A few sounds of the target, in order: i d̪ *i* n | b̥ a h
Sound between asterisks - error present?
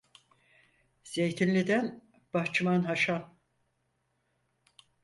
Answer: yes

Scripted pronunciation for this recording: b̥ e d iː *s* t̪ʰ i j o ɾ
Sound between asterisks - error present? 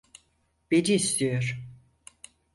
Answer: no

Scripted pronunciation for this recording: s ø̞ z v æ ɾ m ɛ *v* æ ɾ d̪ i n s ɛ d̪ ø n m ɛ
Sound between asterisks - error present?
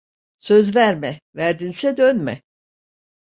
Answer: no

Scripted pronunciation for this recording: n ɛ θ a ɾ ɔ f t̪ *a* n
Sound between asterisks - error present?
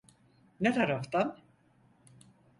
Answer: no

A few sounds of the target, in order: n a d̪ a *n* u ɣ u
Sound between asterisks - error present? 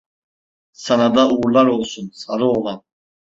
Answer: yes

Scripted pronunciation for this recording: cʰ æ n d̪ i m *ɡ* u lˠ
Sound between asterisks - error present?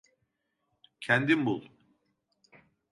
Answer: yes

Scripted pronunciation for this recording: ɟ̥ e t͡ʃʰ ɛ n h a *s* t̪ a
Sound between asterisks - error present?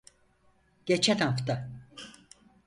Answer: yes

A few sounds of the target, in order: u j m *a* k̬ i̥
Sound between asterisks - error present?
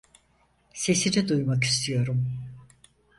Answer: no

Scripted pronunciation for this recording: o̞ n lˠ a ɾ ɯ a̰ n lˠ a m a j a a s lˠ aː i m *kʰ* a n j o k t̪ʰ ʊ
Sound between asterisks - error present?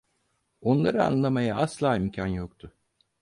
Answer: yes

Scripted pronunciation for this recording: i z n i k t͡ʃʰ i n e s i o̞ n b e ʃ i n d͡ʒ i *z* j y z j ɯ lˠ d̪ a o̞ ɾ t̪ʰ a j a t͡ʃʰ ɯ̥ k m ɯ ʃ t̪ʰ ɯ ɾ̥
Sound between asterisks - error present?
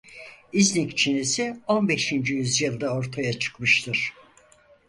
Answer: yes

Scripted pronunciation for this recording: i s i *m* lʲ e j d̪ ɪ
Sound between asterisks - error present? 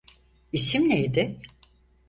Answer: no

